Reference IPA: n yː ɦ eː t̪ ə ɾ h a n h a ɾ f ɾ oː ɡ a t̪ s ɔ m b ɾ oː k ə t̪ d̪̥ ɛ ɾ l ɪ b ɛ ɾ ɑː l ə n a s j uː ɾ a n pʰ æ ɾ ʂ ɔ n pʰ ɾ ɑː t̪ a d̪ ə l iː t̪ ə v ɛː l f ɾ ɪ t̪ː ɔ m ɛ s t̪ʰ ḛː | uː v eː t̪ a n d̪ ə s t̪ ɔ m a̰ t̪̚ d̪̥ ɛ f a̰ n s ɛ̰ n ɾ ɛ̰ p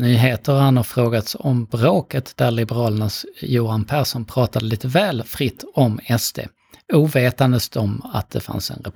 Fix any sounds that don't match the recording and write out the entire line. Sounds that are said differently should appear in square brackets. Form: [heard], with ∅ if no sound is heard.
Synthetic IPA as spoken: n yː ɦ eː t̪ ə ɾ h a n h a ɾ f ɾ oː ɡ a t̪ s ɔ m b ɾ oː k ə t̪ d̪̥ [æ] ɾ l ɪ b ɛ ɾ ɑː l ə n a s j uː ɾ a n pʰ æ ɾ ʂ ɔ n pʰ ɾ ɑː t̪ a d̪ ə l iː t̪ ə v ɛː l f ɾ ɪ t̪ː ɔ m ɛ s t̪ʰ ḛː | uː v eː t̪ a n d̪ ə s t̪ ɔ m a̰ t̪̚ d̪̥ ɛ f a̰ n s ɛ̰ n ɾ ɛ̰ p